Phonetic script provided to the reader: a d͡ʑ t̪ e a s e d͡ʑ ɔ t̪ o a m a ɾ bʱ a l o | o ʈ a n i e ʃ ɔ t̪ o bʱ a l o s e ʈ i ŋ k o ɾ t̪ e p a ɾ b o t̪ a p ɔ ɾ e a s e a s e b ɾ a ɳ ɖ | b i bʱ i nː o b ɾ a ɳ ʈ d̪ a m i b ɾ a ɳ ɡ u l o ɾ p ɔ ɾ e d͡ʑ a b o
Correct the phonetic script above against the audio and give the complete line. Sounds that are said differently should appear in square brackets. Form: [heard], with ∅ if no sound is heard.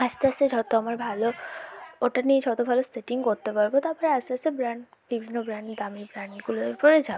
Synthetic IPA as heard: a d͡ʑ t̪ e a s e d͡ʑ ɔ t̪ o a m a ɾ bʱ a l o | o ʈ a n i e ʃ ɔ t̪ o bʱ a l o s e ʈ i ŋ k o ɾ t̪ e p a ɾ b o t̪ a p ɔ ɾ e a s e a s e b ɾ a ɳ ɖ | b i bʱ i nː o b ɾ a ɳ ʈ d̪ a m i b ɾ a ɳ ɡ u l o ɾ p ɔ ɾ e d͡ʑ a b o